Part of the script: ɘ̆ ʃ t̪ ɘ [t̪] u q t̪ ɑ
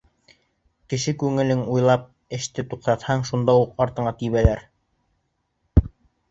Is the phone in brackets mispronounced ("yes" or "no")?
no